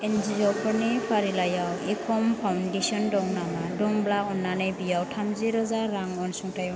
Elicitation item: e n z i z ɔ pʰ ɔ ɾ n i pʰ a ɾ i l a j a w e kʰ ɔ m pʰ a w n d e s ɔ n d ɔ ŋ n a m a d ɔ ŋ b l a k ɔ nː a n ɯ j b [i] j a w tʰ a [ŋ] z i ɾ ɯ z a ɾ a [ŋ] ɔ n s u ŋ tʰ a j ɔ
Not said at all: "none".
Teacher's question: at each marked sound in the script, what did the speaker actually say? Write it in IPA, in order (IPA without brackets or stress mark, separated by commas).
i, m, ŋ